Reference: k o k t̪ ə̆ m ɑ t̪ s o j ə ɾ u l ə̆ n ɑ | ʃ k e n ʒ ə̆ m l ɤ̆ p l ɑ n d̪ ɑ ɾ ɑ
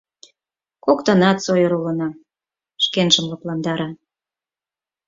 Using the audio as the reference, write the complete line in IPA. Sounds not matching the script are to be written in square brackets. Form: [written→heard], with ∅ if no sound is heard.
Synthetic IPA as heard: k o k t̪ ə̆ [m→n] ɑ t̪ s o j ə ɾ u l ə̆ n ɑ | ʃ k e n ʒ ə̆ m l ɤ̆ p l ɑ n d̪ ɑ ɾ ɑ